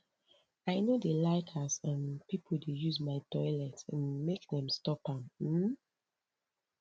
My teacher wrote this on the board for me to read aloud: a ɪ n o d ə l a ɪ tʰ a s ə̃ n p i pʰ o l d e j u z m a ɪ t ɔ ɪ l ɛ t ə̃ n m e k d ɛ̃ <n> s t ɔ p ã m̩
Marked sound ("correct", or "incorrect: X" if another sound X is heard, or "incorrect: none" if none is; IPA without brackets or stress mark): incorrect: m